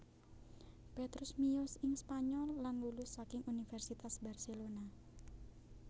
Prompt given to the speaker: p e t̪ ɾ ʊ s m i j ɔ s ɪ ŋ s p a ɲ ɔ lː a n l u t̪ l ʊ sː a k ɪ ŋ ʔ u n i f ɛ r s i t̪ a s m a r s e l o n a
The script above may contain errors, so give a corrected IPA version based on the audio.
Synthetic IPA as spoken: p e t̪ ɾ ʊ s m i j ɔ s ɪ ŋ s p a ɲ ɔ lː a n l u l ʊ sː a k ɪ ŋ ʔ u n i f ɛ r s i t̪ a s b a r s e l o n a